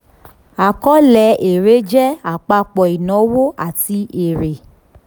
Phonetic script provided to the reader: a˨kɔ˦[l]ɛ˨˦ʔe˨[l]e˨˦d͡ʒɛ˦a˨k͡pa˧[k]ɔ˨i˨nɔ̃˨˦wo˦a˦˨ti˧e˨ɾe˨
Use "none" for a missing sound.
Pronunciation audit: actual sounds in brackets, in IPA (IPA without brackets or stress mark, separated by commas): l, ɾ, k͡p